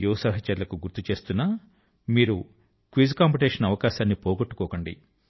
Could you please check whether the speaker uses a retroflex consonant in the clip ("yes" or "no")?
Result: yes